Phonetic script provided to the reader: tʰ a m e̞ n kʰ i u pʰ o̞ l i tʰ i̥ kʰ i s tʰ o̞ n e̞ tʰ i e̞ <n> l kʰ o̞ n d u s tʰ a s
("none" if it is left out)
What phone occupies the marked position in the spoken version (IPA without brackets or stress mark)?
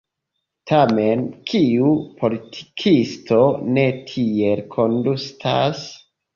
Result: none